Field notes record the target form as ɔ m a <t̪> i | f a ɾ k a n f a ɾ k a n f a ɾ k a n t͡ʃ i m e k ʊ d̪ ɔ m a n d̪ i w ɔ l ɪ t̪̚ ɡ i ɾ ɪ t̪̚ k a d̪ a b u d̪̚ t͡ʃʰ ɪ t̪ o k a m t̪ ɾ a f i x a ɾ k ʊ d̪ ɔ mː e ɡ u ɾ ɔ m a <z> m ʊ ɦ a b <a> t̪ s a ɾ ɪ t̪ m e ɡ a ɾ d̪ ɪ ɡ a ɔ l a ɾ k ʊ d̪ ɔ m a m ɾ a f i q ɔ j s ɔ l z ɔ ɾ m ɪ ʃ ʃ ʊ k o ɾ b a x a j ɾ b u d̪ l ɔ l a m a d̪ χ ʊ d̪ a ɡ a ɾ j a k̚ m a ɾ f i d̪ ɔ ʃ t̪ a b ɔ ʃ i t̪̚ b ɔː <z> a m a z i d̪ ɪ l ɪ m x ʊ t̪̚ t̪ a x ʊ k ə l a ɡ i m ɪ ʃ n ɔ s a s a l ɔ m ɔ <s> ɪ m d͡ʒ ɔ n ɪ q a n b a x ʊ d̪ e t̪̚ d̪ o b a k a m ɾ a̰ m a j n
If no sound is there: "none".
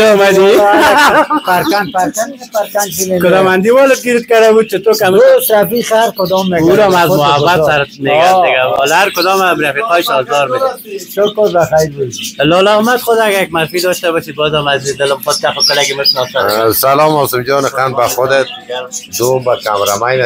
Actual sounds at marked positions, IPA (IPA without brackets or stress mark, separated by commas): d̪, z, a, z, s